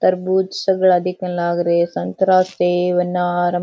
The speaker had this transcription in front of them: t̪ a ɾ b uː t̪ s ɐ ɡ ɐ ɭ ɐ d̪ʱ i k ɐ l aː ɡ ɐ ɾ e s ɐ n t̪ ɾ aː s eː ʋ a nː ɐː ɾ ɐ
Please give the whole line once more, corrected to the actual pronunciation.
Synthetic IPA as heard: t̪ ɐ ɾ b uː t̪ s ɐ ɡ ɐ ɭ ɐ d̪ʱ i k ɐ l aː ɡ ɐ ɾ e s ɐ n t̪ ɾ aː s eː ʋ ɐ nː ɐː ɾ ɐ